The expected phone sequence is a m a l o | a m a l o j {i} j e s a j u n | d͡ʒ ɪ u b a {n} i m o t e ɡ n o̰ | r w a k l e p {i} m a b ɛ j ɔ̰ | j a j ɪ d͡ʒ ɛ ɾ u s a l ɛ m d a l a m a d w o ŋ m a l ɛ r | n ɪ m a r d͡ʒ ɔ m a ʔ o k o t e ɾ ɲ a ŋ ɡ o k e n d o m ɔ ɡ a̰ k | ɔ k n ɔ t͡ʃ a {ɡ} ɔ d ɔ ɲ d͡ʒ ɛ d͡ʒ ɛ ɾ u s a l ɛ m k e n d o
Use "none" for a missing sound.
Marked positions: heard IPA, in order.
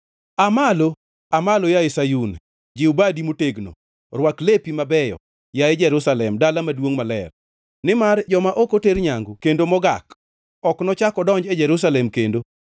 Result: a, d, i, k

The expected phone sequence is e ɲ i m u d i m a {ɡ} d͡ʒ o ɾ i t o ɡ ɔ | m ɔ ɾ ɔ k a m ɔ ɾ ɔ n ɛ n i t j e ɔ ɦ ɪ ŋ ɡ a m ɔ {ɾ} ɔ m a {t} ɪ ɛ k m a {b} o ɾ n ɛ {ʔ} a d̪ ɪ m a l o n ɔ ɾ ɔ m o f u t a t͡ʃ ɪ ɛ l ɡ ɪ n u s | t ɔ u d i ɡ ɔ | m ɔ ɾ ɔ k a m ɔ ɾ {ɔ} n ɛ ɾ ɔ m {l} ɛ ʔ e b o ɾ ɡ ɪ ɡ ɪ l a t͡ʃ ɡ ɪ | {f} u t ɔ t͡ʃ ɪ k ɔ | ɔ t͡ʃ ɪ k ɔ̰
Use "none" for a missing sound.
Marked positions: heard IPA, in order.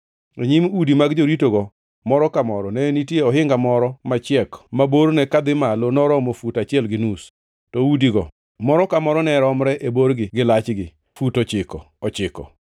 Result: ɡ, ɾ, t͡ʃ, b, k, ɔ, ɾ, f

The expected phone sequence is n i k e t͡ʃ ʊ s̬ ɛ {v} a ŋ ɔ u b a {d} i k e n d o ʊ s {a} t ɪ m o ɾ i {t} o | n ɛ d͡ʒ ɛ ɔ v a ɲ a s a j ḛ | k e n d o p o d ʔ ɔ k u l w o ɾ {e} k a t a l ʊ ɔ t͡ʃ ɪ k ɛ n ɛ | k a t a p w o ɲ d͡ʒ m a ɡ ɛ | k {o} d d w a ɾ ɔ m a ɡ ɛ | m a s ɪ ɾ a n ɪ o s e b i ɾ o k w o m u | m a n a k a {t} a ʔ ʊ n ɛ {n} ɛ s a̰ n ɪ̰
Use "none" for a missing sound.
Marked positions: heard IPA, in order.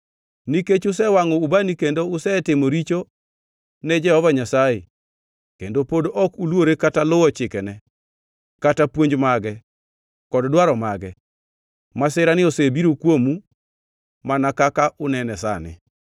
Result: w, n, ɛ, t͡ʃ, e, ɔ, k, n

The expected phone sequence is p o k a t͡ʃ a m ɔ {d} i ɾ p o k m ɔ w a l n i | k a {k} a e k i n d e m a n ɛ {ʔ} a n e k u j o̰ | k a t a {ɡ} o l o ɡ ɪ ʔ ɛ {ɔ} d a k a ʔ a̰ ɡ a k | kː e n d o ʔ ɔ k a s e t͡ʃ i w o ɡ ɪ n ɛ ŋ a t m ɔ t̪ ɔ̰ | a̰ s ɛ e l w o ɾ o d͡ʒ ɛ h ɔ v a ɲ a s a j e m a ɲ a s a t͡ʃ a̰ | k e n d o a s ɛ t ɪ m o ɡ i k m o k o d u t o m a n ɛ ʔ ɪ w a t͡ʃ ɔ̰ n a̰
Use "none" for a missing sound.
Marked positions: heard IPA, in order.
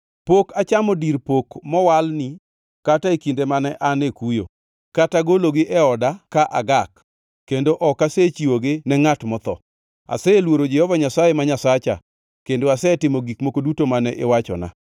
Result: d, t, ʔ, ɡ, ɔ

